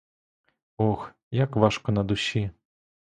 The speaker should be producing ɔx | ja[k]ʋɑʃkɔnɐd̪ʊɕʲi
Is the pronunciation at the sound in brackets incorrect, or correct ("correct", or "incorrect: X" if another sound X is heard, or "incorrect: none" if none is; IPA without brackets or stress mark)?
correct